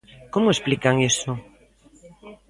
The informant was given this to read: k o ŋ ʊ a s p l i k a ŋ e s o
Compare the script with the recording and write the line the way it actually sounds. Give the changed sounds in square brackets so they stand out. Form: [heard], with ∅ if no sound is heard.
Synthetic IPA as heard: k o [m] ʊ [e] s p l i k a ŋ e s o

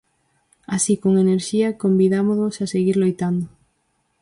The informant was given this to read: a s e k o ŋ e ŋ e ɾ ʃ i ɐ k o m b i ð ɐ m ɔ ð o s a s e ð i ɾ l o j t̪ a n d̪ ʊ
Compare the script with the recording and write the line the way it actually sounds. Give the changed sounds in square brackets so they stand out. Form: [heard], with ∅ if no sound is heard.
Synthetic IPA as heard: a s [i] k o ŋ e [n] e ɾ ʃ i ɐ k o m b i ð [a] m [o] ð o s a s e [ɣ] i ɾ l o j t̪ a n d̪ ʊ

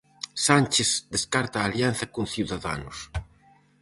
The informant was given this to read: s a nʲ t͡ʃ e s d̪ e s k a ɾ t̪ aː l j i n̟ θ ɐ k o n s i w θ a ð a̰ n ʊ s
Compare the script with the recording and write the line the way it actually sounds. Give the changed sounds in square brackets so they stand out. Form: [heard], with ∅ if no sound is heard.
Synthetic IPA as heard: s a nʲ t͡ʃ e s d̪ e s k a ɾ t̪ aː l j [a] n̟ θ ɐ k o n [θ] i w [ð] a ð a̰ n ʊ s

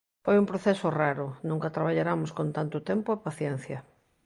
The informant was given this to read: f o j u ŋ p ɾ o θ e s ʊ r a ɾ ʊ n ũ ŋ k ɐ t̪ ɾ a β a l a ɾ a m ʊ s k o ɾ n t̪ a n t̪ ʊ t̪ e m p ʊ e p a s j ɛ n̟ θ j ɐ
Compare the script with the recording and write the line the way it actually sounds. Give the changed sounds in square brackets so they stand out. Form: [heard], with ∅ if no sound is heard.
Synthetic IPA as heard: f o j u [m] p ɾ o θ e s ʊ r a ɾ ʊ n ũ ŋ k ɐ t̪ ɾ a β a [ʎ] a ɾ a m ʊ s k o [∅] n t̪ a n t̪ ʊ t̪ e m p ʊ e p a [θ] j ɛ n̟ θ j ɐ

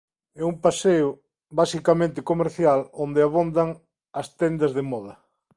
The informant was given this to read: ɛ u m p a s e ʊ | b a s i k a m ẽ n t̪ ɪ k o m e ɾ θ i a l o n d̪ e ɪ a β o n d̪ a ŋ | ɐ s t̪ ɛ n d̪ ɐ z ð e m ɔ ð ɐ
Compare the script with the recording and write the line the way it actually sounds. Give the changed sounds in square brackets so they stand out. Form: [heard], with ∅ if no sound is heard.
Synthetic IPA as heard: ɛ u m p a s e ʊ | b a s i k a m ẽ n t̪ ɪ k o m e ɾ θ [j] a l o n d̪ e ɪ a β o n d̪ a ŋ | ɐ s t̪ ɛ n d̪ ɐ z ð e m ɔ ð ɐ

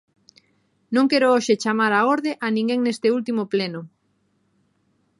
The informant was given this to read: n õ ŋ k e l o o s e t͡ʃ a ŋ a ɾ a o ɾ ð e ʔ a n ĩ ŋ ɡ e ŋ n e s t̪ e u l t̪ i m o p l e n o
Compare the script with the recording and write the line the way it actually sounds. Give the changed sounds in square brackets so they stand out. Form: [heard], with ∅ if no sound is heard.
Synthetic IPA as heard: n õ ŋ k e [ɾ] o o [ʃ] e t͡ʃ a [m] a ɾ a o ɾ ð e ʔ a n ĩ ŋ ɡ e ŋ n e s t̪ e u l t̪ i m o p l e n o

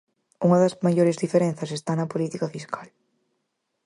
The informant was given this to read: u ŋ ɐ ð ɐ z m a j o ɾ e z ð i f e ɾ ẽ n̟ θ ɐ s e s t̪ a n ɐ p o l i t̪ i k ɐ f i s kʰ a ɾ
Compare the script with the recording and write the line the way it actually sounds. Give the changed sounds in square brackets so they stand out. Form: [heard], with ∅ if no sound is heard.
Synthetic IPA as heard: u ŋ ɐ ð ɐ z m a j o ɾ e z ð i f e ɾ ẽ n̟ θ ɐ s e s t̪ a n ɐ p o l i t̪ i k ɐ f i s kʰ a [l]

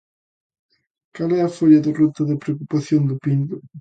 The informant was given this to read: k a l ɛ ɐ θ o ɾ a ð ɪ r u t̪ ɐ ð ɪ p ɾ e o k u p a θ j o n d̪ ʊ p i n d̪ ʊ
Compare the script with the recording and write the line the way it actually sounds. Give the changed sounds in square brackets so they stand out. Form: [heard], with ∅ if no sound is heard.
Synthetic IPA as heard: k a l ɛ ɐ [f] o [ʎ] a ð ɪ r u t̪ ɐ ð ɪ p ɾ e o k u p a θ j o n d̪ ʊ p i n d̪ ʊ

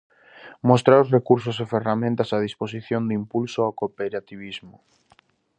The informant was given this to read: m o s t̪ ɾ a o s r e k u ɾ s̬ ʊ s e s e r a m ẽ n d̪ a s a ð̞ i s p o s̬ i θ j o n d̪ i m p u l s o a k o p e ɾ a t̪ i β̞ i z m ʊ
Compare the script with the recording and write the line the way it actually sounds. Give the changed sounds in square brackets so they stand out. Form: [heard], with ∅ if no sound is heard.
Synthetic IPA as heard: m o s t̪ ɾ a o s r e k u ɾ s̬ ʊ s e [f] e r a m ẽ n [t̪] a s a ð̞ i s p o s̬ i θ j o n d̪ i m p u l s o a k o p e ɾ a t̪ i β̞ i z m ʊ

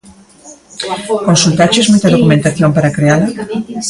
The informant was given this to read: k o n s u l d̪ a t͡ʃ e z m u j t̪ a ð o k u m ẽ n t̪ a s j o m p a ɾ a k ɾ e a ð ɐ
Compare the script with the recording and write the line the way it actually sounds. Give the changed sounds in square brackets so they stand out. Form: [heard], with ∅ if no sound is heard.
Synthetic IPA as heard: k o n s u l [t̪] a t͡ʃ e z m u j t̪ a ð o k u m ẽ n t̪ a [θ] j o m p a ɾ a k ɾ e a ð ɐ

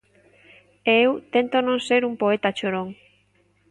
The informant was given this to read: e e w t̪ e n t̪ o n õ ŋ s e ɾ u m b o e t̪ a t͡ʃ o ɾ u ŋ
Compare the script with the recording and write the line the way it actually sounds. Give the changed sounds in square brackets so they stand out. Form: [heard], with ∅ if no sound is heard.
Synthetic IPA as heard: e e w t̪ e n t̪ o n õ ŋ s e ɾ u m [p] o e t̪ a t͡ʃ o ɾ [o] ŋ

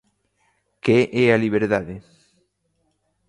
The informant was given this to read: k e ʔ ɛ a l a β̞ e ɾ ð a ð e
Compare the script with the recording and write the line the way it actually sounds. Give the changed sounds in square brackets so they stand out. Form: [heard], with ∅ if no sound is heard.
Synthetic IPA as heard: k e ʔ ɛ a l [i] β̞ e ɾ ð a ð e

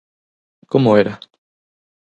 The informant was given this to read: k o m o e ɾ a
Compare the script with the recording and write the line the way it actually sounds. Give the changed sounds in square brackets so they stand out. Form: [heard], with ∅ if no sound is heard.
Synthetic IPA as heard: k o m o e ɾ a

